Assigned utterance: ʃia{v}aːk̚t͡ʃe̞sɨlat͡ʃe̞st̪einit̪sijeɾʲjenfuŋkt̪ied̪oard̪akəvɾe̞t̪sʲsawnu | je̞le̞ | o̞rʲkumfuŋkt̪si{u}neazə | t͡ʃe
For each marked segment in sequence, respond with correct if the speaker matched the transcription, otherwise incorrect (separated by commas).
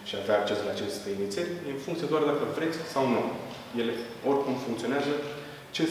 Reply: correct, incorrect